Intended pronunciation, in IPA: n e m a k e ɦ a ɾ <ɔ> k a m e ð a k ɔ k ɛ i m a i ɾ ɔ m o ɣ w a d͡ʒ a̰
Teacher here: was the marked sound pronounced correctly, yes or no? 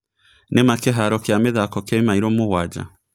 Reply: yes